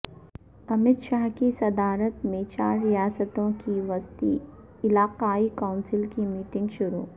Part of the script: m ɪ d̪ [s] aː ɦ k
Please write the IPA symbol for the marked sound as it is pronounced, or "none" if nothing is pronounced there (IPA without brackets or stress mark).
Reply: ʃ